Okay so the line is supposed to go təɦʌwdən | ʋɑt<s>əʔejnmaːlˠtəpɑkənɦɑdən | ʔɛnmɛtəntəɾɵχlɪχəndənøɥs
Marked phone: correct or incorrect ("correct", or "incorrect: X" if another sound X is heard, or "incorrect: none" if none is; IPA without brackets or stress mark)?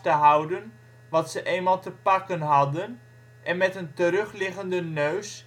correct